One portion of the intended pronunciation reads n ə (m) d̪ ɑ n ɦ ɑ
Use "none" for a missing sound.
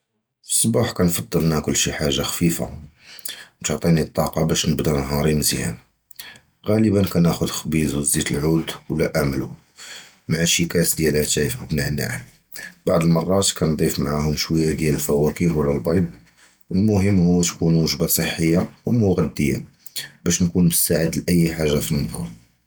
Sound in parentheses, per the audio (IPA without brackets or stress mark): b